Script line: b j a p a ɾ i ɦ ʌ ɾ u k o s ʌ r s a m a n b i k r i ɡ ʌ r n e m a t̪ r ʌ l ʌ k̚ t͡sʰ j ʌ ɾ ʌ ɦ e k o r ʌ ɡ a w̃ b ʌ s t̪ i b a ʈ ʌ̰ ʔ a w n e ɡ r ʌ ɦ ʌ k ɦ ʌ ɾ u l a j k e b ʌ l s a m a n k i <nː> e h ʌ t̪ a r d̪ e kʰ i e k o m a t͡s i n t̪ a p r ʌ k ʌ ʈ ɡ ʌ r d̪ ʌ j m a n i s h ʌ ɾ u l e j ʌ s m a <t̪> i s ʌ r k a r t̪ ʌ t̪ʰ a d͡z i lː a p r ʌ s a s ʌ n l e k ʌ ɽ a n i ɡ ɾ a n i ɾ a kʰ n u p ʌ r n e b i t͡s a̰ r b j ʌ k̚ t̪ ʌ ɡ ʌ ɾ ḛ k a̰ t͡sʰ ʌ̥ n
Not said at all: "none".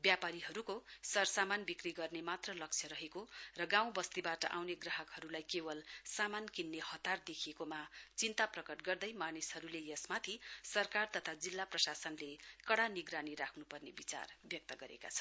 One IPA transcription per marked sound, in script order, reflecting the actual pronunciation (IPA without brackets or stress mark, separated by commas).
nː, t̪ʰ